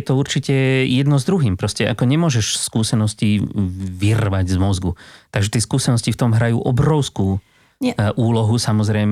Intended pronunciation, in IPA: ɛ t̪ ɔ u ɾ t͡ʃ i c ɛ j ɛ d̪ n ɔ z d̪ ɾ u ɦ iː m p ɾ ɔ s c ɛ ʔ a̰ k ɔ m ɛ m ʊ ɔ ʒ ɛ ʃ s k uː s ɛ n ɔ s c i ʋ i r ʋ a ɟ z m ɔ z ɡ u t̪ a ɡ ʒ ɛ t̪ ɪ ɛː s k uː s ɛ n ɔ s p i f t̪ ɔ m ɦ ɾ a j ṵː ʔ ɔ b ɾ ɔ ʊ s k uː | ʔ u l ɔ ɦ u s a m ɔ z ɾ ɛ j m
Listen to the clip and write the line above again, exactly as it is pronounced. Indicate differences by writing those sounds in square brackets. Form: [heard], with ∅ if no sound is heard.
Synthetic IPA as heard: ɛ t̪ ɔ u ɾ t͡ʃ i c ɛ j ɛ d̪ n ɔ z d̪ ɾ u ɦ iː m p ɾ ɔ s c ɛ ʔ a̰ k ɔ [ɲ] ɛ m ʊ ɔ ʒ ɛ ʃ s k uː s ɛ n ɔ s c i ʋ i r ʋ a ɟ z m ɔ z ɡ u t̪ a ɡ ʒ ɛ t̪ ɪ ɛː s k uː s ɛ n ɔ s [c] i f t̪ ɔ m ɦ ɾ a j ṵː ʔ ɔ b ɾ ɔ ʊ s k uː | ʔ [uː] l ɔ ɦ u s a m ɔ z ɾ ɛ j m